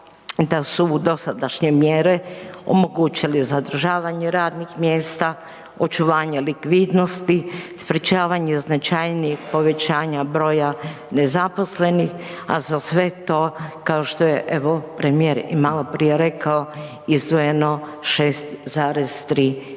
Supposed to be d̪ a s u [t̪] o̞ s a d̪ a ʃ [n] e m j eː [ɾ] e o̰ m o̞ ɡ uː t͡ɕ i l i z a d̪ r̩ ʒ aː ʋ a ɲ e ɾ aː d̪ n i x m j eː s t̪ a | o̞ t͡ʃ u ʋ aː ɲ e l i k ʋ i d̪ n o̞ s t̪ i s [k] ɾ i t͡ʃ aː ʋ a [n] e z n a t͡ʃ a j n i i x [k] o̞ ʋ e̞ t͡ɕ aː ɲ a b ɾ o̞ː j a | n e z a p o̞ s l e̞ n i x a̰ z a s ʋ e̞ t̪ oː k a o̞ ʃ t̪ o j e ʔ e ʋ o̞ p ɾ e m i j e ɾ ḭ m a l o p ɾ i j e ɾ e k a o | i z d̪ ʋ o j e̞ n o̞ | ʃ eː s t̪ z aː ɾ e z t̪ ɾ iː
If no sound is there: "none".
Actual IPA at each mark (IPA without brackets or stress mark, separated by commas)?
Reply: d̪, ɲ, ɾ, p, ɲ, p